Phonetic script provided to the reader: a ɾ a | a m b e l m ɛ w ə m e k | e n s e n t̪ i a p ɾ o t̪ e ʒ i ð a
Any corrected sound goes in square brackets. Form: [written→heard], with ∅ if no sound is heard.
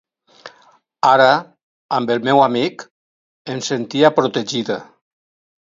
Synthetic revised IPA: a ɾ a | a m b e l m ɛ w [ə→a] m [e→i] k | e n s e n t̪ i a p ɾ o t̪ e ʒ i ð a